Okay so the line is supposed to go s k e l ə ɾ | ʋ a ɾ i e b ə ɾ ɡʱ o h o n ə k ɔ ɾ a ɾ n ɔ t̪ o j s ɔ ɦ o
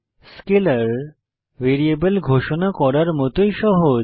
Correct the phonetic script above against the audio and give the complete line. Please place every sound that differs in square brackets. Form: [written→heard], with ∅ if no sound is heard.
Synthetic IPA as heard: s k e l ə ɾ | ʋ [a→e] ɾ i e b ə [ɾ→l] ɡʱ o [h→ʃ] o n [ə→a] k ɔ ɾ a ɾ [n→m] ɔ t̪ o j [s→ʃ] ɔ ɦ o